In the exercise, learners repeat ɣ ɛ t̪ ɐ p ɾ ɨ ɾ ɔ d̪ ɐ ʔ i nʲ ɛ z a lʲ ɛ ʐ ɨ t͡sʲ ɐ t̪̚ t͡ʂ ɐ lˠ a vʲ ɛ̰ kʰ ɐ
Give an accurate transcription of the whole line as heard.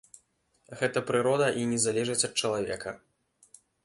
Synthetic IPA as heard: ɣ ɛ t̪ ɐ p ɾ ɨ ɾ ɔ d̪ ɐ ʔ i nʲ ɛ z a lʲ ɛ ʐ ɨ t͡sʲ ɐ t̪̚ t͡ʂ ɐ lˠ a vʲ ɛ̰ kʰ ɐ